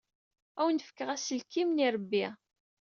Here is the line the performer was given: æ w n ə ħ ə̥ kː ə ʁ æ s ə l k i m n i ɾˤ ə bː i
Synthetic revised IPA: æ w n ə f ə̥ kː ə ʁ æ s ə l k i m n i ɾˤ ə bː i